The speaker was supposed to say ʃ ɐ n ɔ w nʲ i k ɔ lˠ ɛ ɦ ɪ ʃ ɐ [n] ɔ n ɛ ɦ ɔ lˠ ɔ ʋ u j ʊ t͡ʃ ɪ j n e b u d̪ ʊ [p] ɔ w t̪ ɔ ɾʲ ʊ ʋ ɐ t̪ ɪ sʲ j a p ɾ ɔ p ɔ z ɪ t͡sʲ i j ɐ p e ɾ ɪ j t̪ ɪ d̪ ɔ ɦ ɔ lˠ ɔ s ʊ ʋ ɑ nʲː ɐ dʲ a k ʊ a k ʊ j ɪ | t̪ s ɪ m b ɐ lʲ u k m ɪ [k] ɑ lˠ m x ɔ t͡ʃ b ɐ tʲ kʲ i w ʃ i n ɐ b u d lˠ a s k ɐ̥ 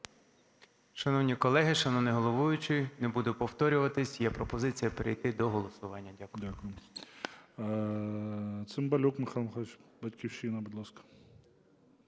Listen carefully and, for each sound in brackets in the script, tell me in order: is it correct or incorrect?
correct, correct, incorrect: x

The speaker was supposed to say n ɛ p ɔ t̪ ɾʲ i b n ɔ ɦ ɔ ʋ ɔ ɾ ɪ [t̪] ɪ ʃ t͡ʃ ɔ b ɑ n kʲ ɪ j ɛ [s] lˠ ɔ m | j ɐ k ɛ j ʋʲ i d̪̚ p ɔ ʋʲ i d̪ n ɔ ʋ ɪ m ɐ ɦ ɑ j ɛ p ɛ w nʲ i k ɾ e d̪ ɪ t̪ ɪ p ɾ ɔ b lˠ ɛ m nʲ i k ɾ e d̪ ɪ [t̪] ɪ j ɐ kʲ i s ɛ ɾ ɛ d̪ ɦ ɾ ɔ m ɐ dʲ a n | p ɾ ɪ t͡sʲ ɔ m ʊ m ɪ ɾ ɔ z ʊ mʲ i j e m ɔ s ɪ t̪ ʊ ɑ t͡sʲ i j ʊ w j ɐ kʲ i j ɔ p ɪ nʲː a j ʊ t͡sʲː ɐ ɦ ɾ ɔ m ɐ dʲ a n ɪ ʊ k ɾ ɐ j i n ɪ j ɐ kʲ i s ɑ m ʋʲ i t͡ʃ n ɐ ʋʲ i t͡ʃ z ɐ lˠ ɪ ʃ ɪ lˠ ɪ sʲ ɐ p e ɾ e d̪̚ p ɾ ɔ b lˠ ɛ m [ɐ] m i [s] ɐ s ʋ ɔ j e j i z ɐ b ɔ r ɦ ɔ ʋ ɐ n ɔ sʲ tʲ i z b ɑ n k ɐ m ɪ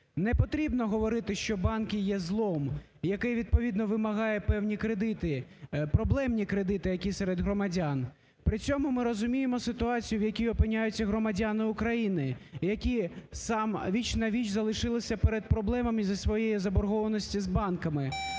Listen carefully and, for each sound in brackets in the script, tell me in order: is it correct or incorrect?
correct, incorrect: z, correct, correct, incorrect: z

